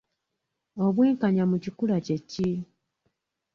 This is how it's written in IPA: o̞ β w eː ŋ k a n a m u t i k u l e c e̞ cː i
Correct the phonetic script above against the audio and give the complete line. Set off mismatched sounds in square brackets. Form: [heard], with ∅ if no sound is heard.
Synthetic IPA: o̞ β w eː ŋ k a [ɲ] a m u [c] i k u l [a] c e̞ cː i